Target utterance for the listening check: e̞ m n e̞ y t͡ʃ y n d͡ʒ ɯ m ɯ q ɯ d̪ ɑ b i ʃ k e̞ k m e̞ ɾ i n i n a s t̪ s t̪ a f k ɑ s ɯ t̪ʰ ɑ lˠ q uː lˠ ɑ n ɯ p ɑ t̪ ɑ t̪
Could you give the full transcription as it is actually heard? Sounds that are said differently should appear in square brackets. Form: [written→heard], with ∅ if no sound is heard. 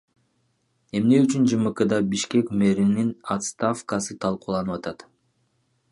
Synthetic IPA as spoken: e̞ m n e̞ y t͡ʃ y n d͡ʒ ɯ m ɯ q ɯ d̪ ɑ b i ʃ k e̞ k m e̞ ɾ i n i n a [s→∅] t̪ s t̪ a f k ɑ s ɯ t̪ʰ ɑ lˠ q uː lˠ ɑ n ɯ p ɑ t̪ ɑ t̪